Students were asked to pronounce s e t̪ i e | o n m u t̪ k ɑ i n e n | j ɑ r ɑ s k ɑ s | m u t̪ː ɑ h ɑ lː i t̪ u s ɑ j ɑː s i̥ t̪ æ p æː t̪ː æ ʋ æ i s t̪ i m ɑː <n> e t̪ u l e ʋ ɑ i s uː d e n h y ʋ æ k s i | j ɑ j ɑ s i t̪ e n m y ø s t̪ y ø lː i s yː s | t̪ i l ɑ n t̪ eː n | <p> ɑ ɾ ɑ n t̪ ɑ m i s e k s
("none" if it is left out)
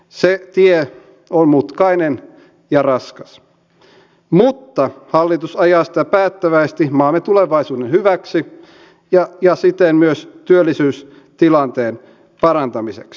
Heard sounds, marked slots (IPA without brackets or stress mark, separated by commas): m, p